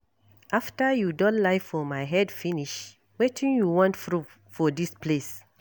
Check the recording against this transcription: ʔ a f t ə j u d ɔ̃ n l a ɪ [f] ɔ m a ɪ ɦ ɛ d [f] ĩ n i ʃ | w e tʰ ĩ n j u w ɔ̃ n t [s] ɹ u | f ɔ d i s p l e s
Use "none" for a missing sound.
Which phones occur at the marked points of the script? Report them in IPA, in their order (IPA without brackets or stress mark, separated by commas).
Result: f, f, f